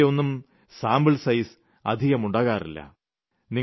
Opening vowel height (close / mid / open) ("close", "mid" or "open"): mid